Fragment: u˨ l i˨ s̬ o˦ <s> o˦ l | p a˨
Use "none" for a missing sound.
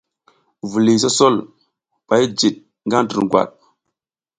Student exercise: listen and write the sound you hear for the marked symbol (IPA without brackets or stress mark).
s